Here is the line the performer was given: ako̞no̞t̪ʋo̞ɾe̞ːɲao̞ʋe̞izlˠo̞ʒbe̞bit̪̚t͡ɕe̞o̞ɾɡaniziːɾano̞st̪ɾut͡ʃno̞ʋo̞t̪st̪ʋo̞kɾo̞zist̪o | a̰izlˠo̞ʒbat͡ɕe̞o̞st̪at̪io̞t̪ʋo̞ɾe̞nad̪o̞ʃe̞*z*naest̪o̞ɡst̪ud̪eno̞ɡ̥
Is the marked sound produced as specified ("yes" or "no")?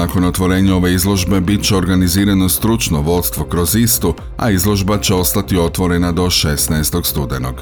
no